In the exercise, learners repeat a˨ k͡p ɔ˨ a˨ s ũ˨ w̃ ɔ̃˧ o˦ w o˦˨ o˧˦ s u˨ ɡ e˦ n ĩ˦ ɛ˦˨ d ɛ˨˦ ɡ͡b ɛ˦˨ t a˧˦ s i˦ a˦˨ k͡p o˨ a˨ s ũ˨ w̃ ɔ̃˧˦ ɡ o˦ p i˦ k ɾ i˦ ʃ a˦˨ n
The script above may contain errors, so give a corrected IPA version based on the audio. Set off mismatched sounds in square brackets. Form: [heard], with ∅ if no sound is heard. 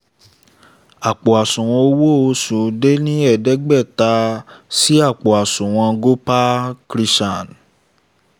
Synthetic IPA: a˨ k͡p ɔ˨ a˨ s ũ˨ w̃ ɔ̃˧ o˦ w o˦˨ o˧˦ s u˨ [d] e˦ n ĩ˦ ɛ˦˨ d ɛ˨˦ ɡ͡b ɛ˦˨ t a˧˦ s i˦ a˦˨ k͡p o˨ a˨ s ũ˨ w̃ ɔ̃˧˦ ɡ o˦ p [a˦] k ɾ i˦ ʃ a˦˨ n